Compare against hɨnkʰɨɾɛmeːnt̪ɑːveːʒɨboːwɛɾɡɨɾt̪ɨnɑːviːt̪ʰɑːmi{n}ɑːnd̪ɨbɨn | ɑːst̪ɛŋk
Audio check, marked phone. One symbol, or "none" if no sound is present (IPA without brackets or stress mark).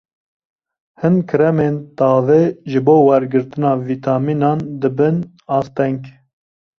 n